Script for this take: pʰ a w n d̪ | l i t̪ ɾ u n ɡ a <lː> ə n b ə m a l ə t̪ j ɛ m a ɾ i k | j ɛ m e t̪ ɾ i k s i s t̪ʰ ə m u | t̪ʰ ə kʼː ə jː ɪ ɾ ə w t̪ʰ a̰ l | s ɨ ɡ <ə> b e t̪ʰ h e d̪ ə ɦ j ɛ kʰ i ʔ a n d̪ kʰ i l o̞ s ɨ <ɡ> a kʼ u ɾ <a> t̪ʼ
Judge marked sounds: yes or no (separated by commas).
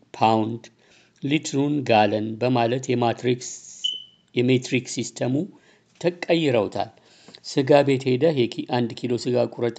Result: no, no, yes, no